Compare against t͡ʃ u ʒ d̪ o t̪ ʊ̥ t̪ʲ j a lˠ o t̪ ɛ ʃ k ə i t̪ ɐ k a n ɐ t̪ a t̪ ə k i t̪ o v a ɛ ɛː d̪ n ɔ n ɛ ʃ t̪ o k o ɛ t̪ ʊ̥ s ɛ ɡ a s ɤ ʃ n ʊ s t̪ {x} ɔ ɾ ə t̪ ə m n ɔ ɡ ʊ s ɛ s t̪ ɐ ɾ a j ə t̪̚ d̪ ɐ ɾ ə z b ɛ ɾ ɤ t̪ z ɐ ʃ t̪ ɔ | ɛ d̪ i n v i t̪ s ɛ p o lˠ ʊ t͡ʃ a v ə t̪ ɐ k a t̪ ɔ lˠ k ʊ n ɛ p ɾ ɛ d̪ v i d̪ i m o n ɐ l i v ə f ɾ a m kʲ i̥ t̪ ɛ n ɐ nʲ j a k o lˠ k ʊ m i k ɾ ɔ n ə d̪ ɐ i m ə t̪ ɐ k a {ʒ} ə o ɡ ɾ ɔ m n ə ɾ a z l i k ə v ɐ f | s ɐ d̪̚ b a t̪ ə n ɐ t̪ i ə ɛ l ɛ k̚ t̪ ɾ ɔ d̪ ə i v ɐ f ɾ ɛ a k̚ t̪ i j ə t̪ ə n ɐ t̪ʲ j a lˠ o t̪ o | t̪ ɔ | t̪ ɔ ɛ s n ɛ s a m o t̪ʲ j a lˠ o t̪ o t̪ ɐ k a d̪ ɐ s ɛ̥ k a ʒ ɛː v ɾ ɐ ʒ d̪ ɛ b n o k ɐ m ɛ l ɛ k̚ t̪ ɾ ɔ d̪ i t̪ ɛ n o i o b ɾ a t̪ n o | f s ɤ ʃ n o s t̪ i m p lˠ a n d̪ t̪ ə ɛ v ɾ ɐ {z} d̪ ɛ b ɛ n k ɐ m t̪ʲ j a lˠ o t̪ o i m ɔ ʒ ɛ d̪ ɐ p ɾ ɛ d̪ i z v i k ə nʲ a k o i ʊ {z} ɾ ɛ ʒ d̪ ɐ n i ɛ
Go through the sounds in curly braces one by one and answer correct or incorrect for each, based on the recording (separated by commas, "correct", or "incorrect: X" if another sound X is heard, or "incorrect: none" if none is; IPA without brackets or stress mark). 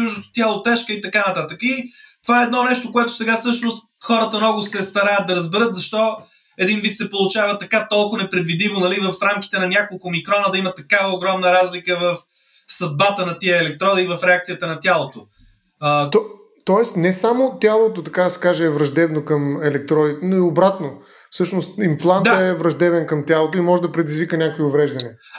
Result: correct, incorrect: v, incorrect: ʒ, incorrect: v